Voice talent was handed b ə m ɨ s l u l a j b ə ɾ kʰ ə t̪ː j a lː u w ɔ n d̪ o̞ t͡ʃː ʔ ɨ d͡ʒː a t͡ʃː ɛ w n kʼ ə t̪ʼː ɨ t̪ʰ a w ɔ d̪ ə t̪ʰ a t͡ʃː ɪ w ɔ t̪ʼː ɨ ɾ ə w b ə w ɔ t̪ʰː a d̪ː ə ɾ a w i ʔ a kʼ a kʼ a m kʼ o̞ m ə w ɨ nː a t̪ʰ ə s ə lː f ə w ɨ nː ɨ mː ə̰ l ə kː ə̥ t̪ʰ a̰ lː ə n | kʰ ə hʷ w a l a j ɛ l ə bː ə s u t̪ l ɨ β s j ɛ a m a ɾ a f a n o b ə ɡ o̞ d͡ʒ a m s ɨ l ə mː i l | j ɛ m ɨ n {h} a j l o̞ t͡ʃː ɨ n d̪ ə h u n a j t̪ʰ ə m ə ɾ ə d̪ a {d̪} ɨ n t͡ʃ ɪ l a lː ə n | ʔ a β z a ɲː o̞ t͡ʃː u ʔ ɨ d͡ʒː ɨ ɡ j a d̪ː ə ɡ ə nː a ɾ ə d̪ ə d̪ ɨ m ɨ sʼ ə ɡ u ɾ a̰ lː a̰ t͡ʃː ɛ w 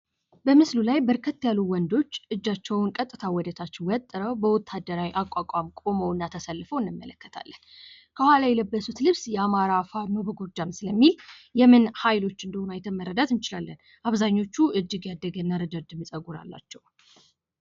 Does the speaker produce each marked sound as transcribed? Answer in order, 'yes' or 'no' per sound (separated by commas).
yes, no